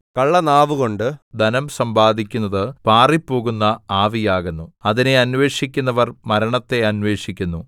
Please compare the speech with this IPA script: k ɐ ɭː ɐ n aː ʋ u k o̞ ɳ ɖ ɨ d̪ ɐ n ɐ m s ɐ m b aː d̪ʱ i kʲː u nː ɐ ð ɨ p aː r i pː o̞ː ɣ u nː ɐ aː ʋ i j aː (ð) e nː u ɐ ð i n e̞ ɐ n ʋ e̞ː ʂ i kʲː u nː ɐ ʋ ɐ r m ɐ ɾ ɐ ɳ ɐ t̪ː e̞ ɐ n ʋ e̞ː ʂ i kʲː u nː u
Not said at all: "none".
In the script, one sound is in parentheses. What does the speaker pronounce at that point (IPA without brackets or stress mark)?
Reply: ɣ